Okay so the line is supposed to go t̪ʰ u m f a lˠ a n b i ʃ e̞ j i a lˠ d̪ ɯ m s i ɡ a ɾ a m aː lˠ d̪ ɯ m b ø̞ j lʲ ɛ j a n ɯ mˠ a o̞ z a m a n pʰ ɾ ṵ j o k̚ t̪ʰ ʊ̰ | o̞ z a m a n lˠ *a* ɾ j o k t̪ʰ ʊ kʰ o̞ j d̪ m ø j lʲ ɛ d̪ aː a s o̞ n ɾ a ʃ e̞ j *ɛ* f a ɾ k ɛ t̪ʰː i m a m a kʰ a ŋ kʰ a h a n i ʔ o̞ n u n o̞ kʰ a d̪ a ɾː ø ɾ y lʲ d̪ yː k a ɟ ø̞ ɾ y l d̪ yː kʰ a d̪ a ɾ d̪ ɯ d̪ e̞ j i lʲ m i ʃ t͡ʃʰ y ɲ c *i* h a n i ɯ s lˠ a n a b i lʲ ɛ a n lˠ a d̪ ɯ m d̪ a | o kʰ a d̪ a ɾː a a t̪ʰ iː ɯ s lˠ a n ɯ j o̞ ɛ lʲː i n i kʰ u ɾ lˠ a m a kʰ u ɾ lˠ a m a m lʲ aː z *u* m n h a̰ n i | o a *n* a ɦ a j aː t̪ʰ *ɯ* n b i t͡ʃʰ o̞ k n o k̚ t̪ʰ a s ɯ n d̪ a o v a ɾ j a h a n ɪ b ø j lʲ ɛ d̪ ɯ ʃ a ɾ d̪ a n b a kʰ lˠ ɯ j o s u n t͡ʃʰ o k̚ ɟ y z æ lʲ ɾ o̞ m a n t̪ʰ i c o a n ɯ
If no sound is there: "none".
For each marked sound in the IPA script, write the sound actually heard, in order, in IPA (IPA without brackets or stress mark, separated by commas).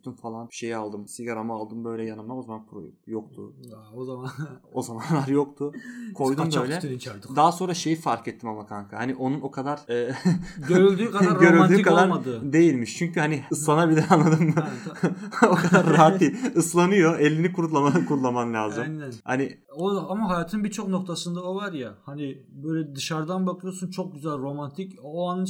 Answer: a, i, y, ɯ, m, ɯ